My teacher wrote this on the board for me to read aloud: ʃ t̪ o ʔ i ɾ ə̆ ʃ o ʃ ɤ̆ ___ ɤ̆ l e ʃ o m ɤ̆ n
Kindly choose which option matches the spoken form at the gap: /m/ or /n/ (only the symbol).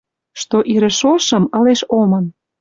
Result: m